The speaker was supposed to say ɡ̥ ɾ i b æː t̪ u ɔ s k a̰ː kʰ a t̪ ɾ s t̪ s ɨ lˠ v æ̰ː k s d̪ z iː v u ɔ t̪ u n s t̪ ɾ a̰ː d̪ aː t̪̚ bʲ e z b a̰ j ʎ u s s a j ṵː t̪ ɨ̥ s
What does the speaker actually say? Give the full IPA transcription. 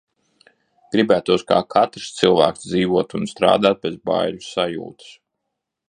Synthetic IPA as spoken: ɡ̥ ɾ i b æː t̪ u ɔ s k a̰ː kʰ a t̪ ɾ s t̪ s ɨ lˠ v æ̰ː k s d̪ z iː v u ɔ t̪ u n s t̪ ɾ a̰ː d̪ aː t̪̚ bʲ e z b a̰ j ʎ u s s a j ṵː t̪ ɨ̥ s